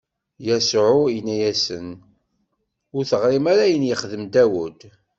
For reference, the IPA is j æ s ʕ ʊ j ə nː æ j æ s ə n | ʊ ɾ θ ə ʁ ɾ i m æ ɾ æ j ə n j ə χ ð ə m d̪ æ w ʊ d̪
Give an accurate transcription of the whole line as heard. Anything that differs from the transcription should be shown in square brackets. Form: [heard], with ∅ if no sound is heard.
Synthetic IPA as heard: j æ s ʕ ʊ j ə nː æ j æ s ə n | ʊ ɾ θ ə ʁ ɾ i m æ ɾ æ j ə n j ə χ ð ə m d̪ æ w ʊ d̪